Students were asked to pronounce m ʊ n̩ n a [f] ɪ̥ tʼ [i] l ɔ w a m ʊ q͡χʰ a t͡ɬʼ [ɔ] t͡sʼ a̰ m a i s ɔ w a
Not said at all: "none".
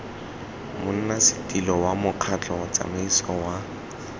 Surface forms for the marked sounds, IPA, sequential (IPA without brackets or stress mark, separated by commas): s, i, ɔ